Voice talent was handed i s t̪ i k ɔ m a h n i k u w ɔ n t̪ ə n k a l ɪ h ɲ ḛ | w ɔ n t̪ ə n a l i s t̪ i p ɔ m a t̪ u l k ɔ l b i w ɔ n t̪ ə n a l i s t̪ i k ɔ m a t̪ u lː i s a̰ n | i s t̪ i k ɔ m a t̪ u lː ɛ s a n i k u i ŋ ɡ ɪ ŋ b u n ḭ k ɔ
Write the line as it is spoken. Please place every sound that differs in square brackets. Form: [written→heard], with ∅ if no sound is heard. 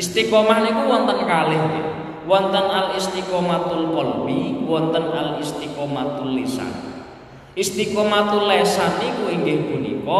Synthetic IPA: i s t̪ i k ɔ m a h n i k u w ɔ n t̪ ə n k a l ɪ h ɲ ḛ | w ɔ n t̪ ə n a l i s t̪ i [p→k] ɔ m a t̪ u l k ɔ l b i w ɔ n t̪ ə n a l i s t̪ i k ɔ m a t̪ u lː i s a̰ n | i s t̪ i k ɔ m a t̪ u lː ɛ s a n i k u i ŋ ɡ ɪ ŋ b u n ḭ k ɔ